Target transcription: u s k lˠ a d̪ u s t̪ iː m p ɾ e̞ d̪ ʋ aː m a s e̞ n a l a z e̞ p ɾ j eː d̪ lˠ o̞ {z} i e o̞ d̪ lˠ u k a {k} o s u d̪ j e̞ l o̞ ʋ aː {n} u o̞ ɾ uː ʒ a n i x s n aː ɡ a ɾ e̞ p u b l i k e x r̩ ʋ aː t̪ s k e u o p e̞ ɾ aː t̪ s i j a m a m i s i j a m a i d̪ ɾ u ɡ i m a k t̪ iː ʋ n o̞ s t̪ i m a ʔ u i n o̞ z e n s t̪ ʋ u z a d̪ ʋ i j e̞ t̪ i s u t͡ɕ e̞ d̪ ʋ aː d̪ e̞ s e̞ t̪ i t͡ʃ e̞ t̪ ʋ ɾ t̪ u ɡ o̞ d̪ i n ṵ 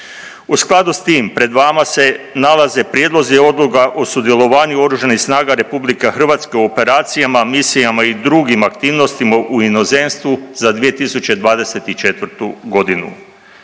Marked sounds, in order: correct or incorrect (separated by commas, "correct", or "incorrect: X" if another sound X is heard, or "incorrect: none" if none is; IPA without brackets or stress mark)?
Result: correct, incorrect: ʔ, incorrect: ɲ